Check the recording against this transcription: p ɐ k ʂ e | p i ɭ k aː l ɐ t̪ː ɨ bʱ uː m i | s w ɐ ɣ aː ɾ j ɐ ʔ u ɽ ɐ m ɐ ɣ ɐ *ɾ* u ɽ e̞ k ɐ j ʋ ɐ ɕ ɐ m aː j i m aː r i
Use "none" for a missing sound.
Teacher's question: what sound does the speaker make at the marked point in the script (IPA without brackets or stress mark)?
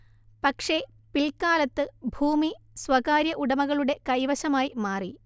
ɭ